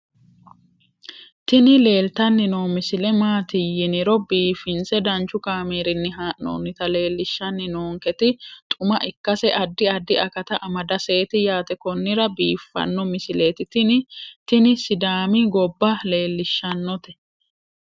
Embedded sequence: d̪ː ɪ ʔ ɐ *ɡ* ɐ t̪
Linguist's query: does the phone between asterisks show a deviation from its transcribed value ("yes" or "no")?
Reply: yes